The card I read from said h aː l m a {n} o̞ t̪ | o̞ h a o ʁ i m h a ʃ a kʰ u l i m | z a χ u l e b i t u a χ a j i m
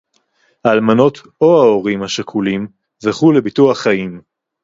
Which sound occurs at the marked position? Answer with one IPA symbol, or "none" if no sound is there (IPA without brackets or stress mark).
n